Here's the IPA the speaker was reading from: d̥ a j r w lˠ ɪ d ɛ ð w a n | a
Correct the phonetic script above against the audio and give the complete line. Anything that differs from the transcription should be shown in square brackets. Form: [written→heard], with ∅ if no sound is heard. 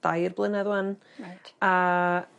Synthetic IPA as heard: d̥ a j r [w→b] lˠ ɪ [d→n] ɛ ð w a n | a

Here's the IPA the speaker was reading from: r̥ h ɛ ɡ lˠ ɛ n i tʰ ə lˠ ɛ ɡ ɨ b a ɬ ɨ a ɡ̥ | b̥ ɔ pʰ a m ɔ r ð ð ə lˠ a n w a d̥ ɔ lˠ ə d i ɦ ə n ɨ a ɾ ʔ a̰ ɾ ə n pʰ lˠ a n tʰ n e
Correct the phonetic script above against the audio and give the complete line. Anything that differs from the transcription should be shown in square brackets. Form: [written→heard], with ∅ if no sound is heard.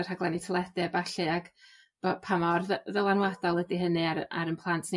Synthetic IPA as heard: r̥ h [ɛ→a] ɡ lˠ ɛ n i tʰ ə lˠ ɛ [ɡ→d] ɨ b a ɬ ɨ a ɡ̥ | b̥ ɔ pʰ a m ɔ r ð ð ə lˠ a n w a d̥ ɔ lˠ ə d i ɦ ə n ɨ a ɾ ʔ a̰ ɾ ə n pʰ lˠ a n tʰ n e

